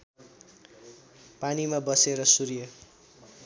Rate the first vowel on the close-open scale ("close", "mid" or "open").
open